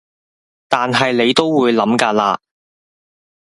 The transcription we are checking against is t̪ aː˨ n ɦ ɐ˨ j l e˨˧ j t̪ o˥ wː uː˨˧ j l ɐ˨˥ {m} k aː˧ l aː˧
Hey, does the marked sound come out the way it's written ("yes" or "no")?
yes